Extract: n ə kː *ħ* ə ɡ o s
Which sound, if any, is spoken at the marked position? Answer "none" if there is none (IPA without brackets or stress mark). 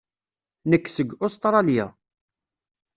s